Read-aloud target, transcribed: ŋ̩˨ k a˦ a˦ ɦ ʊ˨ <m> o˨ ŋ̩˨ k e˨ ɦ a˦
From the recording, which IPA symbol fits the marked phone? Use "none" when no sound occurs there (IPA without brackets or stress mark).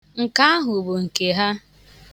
b